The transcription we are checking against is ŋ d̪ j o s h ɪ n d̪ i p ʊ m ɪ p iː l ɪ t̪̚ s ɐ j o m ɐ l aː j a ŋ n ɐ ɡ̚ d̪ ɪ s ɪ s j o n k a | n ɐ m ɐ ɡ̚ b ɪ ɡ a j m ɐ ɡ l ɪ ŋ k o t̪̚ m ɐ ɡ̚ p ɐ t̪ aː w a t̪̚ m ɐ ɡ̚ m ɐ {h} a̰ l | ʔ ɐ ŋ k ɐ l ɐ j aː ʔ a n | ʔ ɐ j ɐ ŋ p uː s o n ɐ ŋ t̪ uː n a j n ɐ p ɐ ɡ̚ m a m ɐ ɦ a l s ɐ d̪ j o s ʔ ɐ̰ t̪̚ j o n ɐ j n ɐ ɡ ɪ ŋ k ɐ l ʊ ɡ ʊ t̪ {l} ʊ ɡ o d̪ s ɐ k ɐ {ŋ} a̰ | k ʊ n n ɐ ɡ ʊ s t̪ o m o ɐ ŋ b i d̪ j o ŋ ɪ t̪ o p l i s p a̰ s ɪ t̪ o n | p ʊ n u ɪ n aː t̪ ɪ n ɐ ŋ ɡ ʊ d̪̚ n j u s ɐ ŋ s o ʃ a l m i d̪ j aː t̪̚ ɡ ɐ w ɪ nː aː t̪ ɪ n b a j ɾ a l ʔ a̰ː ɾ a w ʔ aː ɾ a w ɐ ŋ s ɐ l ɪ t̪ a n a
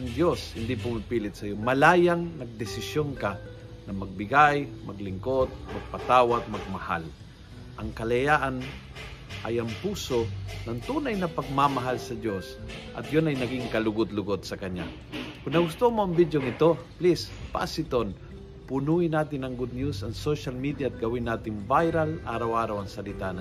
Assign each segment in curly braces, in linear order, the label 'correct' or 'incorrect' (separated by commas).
correct, correct, incorrect